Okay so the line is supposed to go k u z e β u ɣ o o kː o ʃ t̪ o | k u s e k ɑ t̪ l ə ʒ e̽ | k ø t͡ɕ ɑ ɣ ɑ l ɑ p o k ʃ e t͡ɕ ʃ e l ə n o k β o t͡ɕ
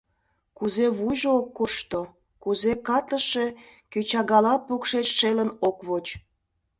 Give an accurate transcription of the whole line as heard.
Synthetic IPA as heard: k u z e β u ʒ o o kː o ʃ t̪ o | k u z e k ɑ t̪ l ə ʃ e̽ | k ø t͡ɕ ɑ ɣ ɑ l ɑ p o k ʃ e t͡ɕ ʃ e l ə n o k β o t͡ɕ